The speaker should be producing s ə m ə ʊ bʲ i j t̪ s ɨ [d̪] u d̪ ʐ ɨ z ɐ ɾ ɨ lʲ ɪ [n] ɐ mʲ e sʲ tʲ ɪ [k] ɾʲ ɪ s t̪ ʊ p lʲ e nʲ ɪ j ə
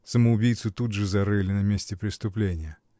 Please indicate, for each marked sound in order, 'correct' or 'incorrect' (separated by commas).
incorrect, correct, incorrect